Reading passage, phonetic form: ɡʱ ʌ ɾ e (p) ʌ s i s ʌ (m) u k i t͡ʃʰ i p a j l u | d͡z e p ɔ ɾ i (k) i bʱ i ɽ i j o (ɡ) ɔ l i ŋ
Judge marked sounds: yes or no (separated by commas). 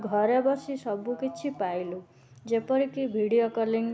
no, no, yes, no